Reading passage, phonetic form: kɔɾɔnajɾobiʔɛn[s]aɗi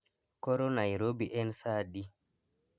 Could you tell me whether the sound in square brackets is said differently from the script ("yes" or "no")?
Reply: no